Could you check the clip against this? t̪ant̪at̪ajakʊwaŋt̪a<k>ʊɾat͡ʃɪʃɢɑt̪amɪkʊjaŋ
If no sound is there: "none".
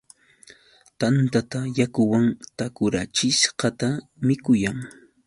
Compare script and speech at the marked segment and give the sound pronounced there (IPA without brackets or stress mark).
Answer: k